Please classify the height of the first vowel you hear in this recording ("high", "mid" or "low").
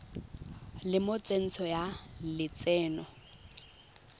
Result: high